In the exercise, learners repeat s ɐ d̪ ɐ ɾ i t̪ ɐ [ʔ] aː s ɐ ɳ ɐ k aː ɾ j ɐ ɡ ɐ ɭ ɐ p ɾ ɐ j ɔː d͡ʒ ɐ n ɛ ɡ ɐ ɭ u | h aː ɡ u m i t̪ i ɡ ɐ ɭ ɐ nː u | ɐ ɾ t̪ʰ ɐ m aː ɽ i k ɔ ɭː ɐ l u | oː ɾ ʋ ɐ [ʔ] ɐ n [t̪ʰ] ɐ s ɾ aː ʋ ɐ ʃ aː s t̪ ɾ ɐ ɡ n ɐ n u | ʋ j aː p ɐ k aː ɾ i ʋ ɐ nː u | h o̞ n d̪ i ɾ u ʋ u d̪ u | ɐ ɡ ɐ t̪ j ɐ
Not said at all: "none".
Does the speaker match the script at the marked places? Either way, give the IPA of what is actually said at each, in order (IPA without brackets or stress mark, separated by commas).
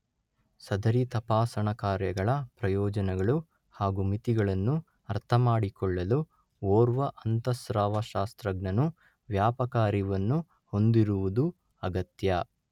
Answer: p, ʔ, t̪